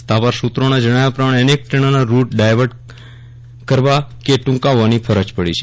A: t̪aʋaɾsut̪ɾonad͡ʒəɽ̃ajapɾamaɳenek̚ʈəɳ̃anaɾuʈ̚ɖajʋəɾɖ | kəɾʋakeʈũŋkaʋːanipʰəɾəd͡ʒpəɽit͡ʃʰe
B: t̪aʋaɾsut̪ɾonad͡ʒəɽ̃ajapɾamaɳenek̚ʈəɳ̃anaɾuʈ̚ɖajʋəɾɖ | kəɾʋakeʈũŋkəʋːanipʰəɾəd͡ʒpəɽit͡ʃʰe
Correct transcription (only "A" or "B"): A